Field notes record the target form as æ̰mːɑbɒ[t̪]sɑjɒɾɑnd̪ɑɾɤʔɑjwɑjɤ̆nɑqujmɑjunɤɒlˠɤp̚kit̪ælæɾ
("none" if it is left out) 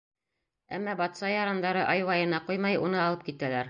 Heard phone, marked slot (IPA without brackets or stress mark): t̪